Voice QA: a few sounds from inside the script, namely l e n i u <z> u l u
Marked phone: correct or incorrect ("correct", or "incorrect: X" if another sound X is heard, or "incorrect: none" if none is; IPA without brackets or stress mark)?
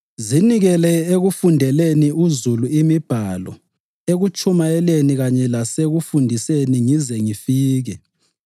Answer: correct